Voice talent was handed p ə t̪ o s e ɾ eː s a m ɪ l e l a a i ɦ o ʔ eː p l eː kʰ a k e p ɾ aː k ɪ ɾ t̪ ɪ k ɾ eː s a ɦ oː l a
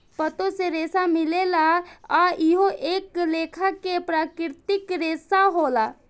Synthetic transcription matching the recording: p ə t̪ o s e ɾ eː s a m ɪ l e l a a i ɦ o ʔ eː k l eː kʰ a k e p ɾ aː k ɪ ɾ t̪ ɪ k ɾ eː s a ɦ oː l a